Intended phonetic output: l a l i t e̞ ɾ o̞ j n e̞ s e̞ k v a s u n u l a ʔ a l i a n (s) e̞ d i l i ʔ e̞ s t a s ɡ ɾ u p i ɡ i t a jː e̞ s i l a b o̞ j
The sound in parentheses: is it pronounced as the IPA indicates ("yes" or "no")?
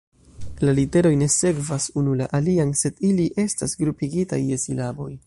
yes